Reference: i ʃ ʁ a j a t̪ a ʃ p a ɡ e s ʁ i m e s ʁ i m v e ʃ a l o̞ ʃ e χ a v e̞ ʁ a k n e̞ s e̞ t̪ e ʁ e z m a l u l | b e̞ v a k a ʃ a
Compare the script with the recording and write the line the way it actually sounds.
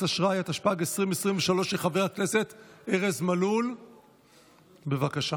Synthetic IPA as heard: a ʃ ʁ a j a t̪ a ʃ p a ɡ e s ʁ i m e s ʁ i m v e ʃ a l o̞ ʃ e χ a v e̞ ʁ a k n e̞ s e̞ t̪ e ʁ e z m a l u l | b e̞ v a k a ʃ a